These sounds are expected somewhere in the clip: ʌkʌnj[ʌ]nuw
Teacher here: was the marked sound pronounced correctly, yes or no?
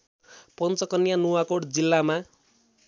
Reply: no